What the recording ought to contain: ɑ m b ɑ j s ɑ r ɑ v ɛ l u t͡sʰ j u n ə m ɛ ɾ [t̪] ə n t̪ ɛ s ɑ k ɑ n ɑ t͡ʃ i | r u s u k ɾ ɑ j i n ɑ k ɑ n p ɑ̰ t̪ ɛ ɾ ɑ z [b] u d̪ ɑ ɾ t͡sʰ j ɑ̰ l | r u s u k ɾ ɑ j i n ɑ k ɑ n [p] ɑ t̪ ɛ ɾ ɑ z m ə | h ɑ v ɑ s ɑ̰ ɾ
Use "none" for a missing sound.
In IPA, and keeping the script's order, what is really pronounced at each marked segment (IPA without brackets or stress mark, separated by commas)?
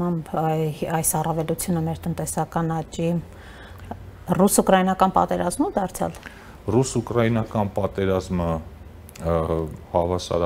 t̪, m, p